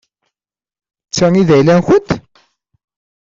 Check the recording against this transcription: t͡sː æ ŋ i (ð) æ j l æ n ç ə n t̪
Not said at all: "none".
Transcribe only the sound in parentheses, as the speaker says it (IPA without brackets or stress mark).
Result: ð